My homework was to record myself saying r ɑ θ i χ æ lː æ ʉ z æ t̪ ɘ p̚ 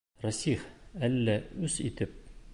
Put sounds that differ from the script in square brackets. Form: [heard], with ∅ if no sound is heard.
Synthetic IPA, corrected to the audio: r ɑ [s] i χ æ lː æ ʉ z [i] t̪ ɘ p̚